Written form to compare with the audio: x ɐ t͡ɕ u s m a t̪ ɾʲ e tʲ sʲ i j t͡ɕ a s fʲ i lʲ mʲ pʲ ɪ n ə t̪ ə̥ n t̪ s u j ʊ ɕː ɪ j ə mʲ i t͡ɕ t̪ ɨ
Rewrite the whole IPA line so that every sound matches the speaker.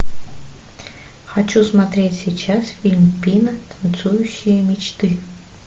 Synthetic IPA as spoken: x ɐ t͡ɕ u s m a t̪ ɾʲ e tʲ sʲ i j t͡ɕ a s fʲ i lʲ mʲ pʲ i n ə t̪ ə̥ n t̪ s u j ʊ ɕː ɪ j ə mʲ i t͡ɕ t̪ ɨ